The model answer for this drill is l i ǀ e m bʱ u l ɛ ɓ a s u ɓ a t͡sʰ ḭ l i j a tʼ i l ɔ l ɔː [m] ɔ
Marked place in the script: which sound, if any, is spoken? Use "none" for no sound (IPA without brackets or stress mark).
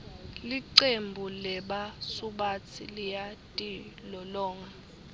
ŋ